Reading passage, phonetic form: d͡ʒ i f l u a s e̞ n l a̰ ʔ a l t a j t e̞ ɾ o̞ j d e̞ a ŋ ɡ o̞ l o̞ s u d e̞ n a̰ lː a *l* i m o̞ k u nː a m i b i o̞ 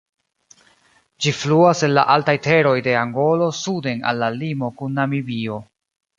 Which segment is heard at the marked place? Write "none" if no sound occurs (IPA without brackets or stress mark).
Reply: l